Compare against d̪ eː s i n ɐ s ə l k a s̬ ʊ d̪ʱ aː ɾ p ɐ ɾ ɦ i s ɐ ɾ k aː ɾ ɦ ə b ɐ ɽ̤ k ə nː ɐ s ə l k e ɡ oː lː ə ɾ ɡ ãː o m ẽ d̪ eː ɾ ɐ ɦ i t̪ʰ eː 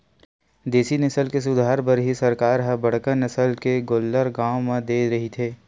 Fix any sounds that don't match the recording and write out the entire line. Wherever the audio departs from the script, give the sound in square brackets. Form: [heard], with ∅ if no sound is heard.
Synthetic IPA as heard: d̪ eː s i n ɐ s ə l k [e] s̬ ʊ d̪ʱ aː ɾ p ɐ ɾ ɦ i s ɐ ɾ k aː ɾ ɦ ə b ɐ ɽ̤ k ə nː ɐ s ə l k e ɡ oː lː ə ɾ ɡ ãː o m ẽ d̪ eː ɾ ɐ ɦ i t̪ʰ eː